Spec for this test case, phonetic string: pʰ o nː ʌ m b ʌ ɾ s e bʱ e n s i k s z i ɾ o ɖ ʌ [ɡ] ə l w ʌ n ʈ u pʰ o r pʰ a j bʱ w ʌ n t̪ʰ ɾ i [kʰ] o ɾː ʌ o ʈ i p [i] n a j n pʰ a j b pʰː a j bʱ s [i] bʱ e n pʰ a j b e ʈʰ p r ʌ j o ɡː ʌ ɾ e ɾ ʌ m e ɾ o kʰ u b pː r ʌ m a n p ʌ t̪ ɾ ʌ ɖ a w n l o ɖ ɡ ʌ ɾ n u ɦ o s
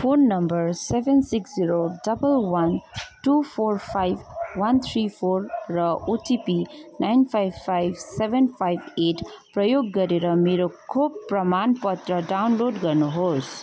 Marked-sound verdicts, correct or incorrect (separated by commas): incorrect, incorrect, correct, incorrect